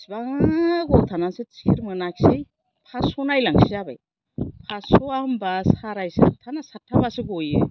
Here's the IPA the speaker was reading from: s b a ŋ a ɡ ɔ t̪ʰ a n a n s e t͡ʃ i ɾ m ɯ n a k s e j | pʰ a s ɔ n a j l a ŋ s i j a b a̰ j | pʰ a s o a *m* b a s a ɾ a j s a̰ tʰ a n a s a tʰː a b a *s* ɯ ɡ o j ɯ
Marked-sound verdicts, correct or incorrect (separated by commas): correct, correct